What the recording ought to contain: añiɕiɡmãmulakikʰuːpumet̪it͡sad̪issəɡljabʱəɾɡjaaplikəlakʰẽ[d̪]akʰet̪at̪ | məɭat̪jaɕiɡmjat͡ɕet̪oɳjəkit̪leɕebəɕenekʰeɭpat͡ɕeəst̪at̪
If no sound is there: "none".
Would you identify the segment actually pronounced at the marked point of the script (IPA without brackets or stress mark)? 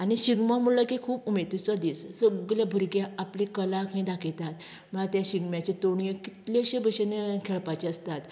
d̪